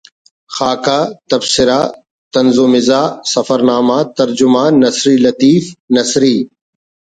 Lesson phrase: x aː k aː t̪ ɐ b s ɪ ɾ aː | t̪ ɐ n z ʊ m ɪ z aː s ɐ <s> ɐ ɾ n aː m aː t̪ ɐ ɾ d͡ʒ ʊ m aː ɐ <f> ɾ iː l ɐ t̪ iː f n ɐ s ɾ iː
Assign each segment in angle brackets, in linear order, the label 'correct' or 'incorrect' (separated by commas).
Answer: incorrect, incorrect